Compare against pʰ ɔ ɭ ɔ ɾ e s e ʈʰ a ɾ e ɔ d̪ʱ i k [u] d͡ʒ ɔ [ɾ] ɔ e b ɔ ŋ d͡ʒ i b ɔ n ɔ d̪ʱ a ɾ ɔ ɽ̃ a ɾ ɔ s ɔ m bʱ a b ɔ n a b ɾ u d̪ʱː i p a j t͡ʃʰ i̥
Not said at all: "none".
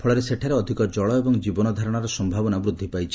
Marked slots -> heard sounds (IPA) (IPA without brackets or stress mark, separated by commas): ɔ, ɭ